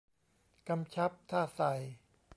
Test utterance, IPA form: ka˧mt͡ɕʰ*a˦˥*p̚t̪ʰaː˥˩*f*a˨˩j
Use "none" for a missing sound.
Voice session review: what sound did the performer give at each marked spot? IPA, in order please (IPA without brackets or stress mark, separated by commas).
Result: a˦˥, s